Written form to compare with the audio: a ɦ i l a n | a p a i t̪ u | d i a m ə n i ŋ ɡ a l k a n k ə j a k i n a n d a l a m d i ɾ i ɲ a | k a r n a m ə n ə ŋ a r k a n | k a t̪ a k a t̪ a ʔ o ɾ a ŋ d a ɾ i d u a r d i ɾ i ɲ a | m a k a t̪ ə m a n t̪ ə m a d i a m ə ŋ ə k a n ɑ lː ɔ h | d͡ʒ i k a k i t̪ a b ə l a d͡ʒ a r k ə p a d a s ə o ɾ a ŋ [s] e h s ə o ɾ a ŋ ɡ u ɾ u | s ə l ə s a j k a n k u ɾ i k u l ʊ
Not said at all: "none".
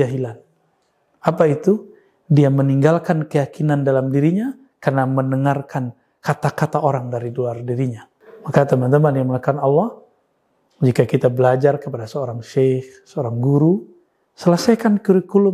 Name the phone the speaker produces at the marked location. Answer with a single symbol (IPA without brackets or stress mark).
ʃ